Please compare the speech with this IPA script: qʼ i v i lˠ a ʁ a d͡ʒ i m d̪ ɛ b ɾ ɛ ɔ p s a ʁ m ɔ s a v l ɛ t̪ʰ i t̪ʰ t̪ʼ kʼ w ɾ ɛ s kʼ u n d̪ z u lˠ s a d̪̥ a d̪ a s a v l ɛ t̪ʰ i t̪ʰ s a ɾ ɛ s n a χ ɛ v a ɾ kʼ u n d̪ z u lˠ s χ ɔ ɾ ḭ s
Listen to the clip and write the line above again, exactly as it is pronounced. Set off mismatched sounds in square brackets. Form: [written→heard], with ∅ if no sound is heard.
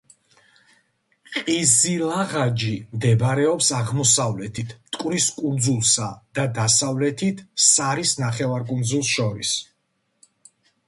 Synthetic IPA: qʼ i [v→z] i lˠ a ʁ a d͡ʒ i m d̪ ɛ b ɾ ɛ ɔ p s a ʁ m ɔ s a v l ɛ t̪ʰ i t̪ʰ t̪ʼ kʼ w ɾ [ɛ→i] s kʼ u n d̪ z u lˠ s a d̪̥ a d̪ a s a v l ɛ t̪ʰ i t̪ʰ s a ɾ [ɛ→i] s n a χ ɛ v a ɾ kʼ u n d̪ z u lˠ s [χ→ʃ] ɔ ɾ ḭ s